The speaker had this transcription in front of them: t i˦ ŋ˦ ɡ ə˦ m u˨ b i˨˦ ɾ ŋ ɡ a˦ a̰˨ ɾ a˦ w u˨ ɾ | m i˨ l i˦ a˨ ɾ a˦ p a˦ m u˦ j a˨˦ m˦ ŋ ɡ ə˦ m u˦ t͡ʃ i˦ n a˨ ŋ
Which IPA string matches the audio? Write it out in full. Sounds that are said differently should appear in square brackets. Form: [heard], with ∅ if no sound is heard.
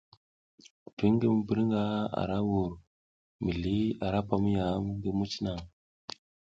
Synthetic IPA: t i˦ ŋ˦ ɡ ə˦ m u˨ b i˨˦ ɾ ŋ ɡ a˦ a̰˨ ɾ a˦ w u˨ ɾ | m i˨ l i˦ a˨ ɾ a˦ p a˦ m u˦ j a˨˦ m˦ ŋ ɡ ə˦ m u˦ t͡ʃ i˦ n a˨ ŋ